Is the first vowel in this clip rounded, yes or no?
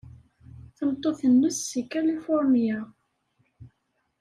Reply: no